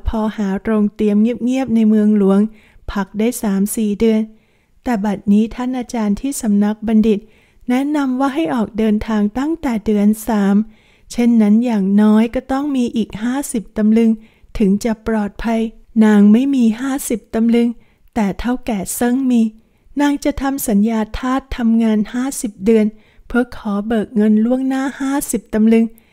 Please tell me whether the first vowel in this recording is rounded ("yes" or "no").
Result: yes